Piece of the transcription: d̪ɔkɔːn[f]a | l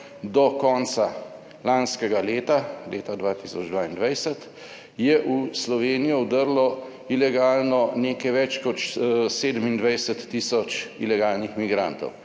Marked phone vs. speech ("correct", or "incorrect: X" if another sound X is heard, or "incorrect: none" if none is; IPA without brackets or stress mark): incorrect: s